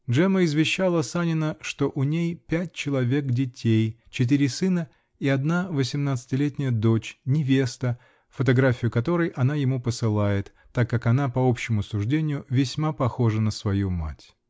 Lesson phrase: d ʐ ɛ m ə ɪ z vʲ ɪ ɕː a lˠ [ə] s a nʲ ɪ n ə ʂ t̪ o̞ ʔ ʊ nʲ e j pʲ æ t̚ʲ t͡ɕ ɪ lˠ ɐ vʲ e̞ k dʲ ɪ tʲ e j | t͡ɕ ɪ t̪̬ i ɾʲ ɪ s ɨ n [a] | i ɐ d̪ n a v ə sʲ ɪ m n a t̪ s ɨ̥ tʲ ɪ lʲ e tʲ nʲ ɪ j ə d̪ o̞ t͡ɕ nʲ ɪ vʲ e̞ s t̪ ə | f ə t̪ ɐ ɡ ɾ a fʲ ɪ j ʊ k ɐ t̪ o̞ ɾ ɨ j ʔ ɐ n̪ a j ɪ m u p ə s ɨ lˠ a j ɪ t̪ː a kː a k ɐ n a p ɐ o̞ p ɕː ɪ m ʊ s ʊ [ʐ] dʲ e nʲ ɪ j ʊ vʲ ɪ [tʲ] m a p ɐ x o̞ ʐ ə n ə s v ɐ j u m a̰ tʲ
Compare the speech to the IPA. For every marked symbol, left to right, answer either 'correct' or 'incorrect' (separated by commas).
correct, incorrect, correct, incorrect